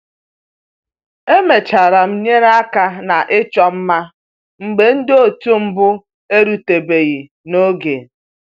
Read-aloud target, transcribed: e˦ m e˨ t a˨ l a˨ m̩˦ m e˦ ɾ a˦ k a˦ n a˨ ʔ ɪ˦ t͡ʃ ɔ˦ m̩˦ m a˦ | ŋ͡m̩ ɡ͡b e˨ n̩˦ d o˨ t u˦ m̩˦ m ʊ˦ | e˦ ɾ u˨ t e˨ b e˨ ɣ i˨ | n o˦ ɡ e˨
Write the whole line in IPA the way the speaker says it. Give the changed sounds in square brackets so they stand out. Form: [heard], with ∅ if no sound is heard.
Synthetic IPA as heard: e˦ m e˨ [t͡ʃ] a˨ [ɾ] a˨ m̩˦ [ɲ] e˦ ɾ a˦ k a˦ n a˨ ʔ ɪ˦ t͡ʃ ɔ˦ m̩˦ m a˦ | ŋ͡m̩ ɡ͡b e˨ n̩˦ d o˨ t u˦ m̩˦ [b] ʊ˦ | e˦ ɾ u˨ t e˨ b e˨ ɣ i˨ | n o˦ ɡ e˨